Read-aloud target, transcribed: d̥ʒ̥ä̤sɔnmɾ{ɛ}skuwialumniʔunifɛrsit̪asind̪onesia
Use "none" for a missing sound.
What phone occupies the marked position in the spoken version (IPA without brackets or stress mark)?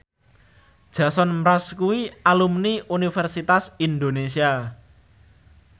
a